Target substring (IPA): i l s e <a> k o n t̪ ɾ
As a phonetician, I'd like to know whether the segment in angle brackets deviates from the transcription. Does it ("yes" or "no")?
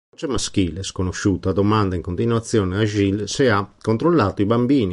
no